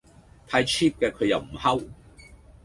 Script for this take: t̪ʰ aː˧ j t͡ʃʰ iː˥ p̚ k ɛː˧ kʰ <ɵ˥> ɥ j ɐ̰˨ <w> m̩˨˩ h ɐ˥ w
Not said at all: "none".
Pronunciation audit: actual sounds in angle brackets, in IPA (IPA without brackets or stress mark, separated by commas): ɵ˨˧, w